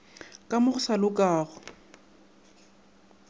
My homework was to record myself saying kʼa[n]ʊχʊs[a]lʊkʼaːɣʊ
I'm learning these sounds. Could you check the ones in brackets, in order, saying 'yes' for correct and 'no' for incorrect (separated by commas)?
no, yes